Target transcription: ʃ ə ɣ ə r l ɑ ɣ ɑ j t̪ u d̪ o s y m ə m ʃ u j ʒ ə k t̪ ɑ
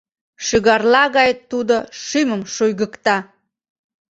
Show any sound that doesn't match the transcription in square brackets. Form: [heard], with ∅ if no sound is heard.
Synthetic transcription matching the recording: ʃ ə ɣ [ɑ] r l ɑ ɣ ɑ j t̪ u d̪ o [ʃ] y m ə m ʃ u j [ɣ] ə k t̪ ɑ